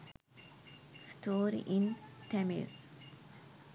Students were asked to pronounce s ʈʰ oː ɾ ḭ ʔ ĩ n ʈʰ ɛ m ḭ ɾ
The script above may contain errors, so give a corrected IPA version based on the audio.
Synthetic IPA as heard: s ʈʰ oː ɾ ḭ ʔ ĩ n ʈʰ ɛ m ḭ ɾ